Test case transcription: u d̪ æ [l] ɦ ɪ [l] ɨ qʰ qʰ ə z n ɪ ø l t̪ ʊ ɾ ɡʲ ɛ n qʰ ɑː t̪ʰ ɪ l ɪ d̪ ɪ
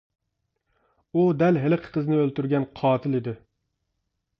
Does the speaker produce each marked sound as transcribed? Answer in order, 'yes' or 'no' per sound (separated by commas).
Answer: yes, yes